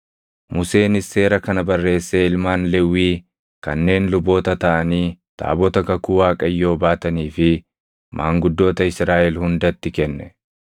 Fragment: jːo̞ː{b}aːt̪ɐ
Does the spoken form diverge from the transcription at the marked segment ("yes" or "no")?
no